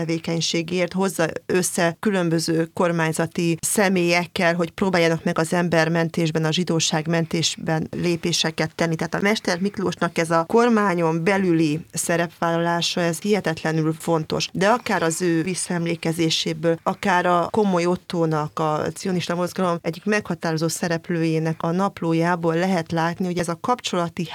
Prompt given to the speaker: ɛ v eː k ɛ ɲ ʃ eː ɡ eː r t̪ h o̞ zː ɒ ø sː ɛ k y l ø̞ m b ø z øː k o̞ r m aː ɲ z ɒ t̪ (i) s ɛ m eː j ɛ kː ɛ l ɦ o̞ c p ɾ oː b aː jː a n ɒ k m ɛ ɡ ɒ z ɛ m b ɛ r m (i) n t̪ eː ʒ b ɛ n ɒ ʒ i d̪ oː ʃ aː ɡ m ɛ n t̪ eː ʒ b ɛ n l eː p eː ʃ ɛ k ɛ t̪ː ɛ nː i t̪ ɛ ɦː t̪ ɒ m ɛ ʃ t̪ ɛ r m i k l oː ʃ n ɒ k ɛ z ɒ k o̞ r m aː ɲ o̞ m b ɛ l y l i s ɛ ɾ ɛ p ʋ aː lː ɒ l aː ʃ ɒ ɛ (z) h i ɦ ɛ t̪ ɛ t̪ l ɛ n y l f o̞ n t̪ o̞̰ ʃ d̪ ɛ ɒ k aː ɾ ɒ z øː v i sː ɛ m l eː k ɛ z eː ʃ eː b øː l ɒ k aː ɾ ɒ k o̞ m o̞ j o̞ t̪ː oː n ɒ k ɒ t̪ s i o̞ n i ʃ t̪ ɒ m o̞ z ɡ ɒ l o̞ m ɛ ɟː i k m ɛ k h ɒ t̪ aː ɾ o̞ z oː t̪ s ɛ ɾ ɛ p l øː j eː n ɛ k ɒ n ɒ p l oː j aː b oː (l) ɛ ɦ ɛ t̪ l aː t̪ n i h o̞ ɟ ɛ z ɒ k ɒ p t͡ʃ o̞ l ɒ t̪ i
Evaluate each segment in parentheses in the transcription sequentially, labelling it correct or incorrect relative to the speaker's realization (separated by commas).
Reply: correct, incorrect, correct, incorrect